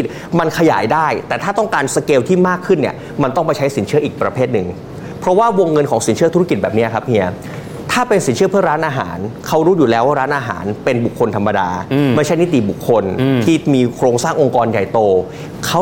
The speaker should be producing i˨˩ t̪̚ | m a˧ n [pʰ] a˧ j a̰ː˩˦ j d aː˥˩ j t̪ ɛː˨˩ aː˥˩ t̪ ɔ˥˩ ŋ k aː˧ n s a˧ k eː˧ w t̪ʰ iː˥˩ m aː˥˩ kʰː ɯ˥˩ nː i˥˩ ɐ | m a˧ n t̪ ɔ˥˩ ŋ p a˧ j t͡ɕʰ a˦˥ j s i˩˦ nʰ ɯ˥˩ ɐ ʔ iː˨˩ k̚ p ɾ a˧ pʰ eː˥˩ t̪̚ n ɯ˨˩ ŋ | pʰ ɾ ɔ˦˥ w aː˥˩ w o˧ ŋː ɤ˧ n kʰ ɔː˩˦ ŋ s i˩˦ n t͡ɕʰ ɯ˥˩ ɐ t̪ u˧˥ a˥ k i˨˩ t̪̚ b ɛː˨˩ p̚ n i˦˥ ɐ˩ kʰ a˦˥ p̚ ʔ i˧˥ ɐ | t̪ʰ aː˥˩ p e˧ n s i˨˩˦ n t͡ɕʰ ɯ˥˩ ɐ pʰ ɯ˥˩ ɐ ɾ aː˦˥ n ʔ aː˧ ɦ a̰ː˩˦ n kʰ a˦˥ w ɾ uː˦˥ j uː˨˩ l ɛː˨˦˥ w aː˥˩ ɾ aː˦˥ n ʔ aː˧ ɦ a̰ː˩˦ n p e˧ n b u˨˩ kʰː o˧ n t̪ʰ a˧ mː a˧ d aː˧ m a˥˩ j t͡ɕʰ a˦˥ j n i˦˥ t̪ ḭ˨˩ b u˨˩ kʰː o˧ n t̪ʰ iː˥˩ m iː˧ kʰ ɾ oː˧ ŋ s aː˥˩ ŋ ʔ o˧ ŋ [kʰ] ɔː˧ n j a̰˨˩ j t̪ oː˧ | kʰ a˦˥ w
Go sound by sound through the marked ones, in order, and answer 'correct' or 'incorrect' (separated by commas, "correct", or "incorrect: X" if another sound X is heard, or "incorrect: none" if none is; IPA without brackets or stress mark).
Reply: incorrect: kʰ, incorrect: k